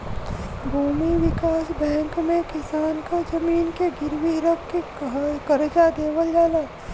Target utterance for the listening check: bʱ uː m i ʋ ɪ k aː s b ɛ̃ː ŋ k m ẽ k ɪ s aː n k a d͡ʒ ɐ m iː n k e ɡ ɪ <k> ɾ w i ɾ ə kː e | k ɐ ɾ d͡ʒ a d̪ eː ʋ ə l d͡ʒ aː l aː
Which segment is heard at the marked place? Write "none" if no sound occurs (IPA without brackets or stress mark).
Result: none